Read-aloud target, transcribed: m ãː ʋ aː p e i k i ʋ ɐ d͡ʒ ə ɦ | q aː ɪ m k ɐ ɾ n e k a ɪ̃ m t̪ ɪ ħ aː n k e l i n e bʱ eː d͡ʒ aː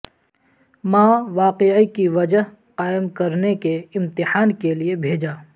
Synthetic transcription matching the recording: m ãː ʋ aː q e i k i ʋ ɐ d͡ʒ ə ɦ | q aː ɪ m k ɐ ɾ n e k e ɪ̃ m t̪ ɪ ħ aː n k e l i e bʱ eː d͡ʒ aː